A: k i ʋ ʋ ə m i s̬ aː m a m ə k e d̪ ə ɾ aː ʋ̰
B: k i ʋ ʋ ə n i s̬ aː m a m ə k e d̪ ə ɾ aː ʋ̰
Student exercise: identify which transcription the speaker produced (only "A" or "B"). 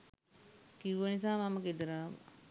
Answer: B